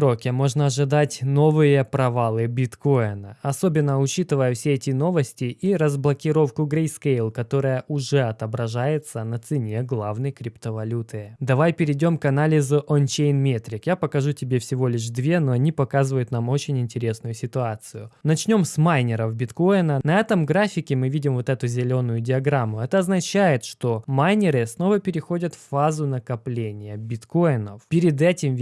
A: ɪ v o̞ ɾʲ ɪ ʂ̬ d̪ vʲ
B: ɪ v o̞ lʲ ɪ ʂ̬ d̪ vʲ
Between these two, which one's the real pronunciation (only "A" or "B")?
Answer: B